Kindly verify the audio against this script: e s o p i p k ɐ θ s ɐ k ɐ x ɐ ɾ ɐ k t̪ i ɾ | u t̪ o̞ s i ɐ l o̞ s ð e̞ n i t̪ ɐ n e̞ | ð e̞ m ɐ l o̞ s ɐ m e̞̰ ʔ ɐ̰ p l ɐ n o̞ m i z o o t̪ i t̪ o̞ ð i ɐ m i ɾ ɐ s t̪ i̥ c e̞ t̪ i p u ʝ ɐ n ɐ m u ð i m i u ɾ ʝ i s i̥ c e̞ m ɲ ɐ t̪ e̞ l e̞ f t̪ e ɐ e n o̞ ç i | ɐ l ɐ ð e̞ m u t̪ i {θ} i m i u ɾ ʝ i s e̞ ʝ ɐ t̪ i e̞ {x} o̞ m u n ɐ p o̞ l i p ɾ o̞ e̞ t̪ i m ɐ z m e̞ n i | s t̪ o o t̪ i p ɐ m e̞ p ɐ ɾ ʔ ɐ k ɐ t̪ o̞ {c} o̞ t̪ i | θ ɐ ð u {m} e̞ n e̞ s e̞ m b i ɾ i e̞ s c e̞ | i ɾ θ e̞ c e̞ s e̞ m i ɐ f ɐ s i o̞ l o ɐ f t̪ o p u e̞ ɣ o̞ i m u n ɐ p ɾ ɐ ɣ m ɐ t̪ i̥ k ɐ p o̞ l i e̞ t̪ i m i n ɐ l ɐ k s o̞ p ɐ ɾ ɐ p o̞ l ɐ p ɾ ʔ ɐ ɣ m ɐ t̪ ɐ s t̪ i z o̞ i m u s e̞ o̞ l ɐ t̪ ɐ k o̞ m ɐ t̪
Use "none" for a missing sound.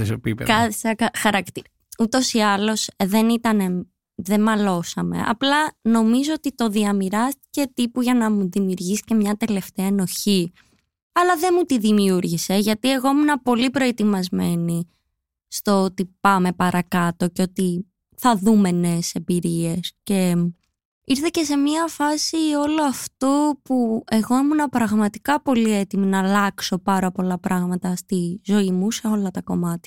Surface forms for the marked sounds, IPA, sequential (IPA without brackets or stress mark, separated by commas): ð, ɣ, c, m